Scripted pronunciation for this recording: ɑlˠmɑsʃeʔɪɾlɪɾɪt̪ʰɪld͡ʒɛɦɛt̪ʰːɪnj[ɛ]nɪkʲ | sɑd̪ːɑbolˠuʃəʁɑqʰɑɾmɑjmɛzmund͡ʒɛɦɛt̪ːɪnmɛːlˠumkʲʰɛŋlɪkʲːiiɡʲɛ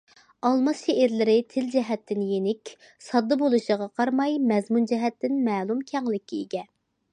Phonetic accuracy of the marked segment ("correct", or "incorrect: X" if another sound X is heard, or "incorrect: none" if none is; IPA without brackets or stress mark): incorrect: e